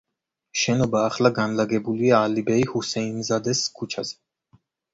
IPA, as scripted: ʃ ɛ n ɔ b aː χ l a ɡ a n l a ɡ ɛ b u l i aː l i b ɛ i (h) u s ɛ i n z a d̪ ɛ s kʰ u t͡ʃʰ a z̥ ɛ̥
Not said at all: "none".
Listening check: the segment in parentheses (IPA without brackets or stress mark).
h